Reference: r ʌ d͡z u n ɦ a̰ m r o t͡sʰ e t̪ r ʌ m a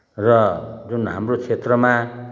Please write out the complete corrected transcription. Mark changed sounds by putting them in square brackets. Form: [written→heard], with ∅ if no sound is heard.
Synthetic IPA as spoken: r ʌ d͡z u n ɦ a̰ m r o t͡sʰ e t̪ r ʌ m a